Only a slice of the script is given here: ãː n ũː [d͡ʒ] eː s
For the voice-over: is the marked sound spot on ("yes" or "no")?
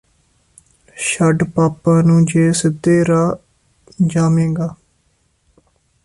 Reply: yes